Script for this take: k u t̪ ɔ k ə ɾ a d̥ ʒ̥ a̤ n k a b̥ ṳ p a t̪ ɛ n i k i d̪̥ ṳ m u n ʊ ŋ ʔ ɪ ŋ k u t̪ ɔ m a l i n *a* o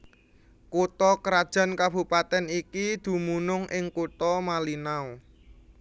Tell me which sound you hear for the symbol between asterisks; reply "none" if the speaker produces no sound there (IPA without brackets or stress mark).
a